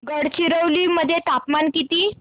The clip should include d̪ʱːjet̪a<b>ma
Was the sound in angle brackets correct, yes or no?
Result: no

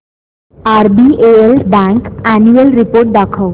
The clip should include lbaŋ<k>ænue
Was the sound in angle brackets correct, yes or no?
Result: yes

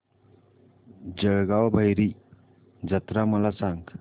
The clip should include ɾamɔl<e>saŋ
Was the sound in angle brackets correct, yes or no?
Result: no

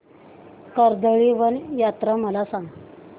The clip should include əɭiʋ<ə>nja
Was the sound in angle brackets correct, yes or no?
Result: yes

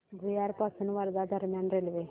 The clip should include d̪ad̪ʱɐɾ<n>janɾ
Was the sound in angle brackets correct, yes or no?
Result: no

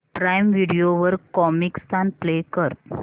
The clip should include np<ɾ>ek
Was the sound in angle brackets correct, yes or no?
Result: no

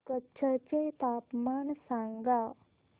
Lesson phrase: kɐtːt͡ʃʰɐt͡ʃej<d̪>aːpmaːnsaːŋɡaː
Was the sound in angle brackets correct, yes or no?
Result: no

